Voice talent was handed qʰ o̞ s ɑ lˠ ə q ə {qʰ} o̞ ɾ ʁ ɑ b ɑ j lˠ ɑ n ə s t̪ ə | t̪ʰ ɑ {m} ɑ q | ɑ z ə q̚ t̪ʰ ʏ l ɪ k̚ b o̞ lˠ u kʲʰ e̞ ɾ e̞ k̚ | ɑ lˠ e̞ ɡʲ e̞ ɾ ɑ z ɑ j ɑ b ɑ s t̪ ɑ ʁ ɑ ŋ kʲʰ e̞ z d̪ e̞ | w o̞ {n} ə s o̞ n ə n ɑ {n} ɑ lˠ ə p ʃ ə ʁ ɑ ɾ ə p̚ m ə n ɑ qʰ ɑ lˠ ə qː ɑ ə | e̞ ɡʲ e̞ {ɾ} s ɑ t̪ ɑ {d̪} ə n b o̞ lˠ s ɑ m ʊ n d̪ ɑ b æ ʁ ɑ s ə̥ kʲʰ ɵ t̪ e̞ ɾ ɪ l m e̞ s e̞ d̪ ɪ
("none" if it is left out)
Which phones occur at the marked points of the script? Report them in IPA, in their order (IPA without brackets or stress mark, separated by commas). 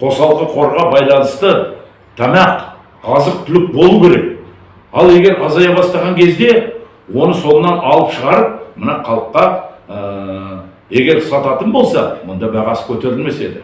qʰ, m, n, n, ɾ, t̪